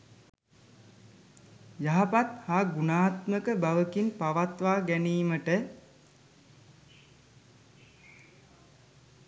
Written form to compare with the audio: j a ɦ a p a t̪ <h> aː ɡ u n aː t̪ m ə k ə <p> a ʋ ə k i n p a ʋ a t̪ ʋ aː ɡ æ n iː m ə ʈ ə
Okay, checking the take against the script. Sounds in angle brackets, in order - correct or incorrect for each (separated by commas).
correct, incorrect